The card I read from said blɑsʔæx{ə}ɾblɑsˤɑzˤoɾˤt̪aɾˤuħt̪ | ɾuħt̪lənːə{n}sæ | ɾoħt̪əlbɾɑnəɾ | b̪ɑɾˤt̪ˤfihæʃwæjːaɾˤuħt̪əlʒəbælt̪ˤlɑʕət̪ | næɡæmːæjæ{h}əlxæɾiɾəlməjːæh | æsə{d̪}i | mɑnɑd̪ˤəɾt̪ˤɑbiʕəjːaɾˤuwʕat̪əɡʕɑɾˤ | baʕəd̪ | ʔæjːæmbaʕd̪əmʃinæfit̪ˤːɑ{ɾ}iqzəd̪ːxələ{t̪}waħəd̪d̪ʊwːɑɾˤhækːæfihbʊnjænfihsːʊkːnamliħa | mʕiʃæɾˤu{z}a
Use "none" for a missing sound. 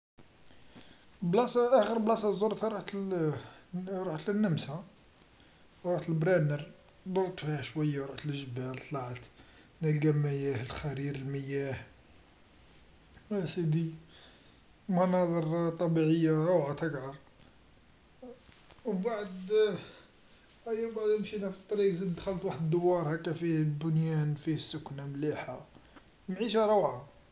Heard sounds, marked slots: ə, m, h, d̪, ɾ, t̪, ʕ

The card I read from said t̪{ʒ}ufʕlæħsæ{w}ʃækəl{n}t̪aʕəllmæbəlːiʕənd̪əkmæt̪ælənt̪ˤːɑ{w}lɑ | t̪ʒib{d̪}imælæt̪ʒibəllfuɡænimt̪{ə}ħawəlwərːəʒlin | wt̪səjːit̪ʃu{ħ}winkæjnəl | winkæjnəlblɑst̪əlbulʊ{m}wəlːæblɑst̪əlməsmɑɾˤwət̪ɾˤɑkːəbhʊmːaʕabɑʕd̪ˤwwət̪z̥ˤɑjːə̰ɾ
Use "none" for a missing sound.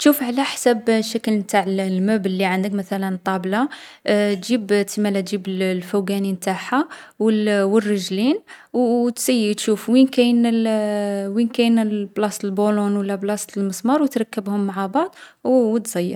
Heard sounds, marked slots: ʃ, b, m, b, t̪, a, f, n

